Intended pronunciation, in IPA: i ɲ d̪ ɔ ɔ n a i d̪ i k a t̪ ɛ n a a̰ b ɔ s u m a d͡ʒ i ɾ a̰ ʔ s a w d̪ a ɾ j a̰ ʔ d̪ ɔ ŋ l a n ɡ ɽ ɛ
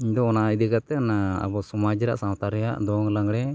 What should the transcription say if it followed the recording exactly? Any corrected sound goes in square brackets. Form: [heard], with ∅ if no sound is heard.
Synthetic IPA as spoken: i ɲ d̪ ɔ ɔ n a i d̪ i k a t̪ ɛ n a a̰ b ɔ s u m a d͡ʒ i ɾ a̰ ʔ s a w [t̪] a ɾ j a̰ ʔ d̪ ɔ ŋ l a [ŋ] ɡ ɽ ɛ

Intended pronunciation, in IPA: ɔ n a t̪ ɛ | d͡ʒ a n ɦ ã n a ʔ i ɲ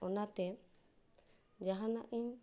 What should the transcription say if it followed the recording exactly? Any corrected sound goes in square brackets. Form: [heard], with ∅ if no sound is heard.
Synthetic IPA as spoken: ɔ n a t̪ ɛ | d͡ʒ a [∅] ɦ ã n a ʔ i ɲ

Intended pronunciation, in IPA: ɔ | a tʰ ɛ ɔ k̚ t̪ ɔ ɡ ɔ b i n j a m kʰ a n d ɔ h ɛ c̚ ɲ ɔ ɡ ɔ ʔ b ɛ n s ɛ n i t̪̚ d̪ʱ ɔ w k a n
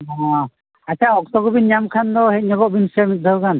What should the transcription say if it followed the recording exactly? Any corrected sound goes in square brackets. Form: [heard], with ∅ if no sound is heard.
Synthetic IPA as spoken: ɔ | a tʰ [a] ɔ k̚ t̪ ɔ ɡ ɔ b i n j a m kʰ a n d ɔ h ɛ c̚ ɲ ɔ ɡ ɔ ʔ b [i] n s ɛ [m] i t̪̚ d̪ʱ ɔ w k a n

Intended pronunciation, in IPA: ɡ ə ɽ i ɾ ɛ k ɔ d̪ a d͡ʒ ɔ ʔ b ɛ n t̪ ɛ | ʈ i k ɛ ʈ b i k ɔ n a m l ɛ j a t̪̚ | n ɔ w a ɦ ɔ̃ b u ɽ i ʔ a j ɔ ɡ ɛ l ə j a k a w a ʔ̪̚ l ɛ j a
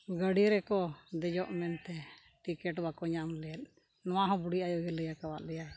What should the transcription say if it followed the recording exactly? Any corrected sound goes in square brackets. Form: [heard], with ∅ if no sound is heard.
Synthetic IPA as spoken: ɡ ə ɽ i ɾ ɛ k ɔ d̪ [ɛ] d͡ʒ ɔ ʔ [m] ɛ n t̪ ɛ | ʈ i k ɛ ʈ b [a] k ɔ [ɲ] a m l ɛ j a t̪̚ | n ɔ w a ɦ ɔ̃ b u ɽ i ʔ a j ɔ ɡ ɛ l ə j a k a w a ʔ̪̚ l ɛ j a

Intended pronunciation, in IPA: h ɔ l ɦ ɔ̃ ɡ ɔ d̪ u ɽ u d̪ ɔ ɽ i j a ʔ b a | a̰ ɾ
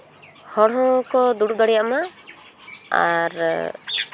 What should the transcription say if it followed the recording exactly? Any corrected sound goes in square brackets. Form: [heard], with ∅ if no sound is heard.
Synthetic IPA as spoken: h ɔ [ɽ] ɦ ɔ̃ [k] ɔ d̪ u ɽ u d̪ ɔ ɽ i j a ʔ [m] a | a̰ ɾ

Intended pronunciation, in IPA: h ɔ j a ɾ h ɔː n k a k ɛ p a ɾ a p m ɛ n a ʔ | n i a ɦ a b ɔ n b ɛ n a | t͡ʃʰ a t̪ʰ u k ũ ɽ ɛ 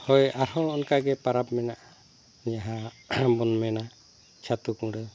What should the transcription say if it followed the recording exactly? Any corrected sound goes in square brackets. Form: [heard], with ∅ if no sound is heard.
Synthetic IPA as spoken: h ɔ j a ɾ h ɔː n k a [ɡ] ɛ p a ɾ a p m ɛ n a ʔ | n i a ɦ a b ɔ n [m] ɛ n a | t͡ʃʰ a [t̪] u k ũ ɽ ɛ

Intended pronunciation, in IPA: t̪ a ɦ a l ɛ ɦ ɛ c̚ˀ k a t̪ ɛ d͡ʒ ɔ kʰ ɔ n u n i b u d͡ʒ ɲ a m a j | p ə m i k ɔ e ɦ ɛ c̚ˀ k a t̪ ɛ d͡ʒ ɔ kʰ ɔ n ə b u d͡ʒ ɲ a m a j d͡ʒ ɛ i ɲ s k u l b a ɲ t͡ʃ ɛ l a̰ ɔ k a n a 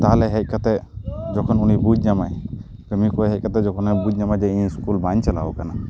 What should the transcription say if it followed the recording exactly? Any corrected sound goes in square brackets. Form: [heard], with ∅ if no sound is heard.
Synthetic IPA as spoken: t̪ a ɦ a l ɛ ɦ ɛ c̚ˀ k a t̪ ɛ d͡ʒ ɔ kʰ ɔ n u n i b u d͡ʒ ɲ a m a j | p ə m i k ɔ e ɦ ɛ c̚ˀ k a t̪ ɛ d͡ʒ ɔ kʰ ɔ n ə b u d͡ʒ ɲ a m a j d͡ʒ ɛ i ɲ s k u l b a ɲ t͡ʃ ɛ l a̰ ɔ k a n a

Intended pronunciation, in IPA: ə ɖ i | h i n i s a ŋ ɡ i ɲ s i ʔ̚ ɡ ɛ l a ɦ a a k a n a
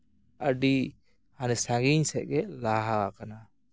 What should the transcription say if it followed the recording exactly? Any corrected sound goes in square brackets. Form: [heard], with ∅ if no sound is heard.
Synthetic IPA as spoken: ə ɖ i | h [a] n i s a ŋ ɡ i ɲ s [ɛ] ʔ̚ ɡ ɛ l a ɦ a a k a n a

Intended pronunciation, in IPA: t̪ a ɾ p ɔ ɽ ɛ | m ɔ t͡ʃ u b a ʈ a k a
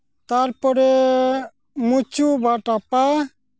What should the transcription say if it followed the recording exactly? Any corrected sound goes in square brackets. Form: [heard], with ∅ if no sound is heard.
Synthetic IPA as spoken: t̪ a ɾ p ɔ [ɾ] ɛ | m [u] t͡ʃ u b a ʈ a [p] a

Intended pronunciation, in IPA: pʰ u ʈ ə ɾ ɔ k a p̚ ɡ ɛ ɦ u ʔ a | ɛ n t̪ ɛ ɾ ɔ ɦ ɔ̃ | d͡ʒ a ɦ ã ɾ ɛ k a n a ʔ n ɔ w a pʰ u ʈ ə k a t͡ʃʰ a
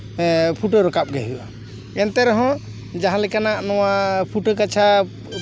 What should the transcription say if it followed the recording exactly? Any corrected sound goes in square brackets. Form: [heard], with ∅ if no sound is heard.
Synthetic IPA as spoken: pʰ u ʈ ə ɾ ɔ k a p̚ ɡ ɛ ɦ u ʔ a | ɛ n t̪ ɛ ɾ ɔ ɦ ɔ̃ | d͡ʒ a ɦ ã [l] ɛ k a n a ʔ n ɔ w a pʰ u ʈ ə k a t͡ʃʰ a

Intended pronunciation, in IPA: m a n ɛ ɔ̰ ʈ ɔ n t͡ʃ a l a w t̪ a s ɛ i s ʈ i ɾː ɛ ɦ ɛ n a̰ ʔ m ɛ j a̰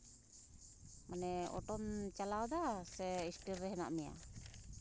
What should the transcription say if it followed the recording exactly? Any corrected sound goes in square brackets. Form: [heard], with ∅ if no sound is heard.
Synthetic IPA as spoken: m a n ɛ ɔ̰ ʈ ɔ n t͡ʃ a l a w [d̪] a s ɛ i s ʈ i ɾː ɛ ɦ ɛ n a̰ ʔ m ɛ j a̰

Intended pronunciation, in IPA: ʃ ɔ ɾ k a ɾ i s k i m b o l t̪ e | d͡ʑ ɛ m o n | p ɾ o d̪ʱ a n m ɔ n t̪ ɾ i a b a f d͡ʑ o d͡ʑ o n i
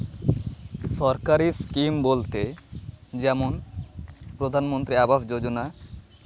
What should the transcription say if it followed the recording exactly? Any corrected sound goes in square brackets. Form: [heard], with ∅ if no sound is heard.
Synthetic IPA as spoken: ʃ ɔ ɾ k a ɾ i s k i m b o l t̪ e | d͡ʑ ɛ m o n | p ɾ o d̪ʱ a n m [o] n t̪ ɾ i a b a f d͡ʑ o d͡ʑ o n [a]

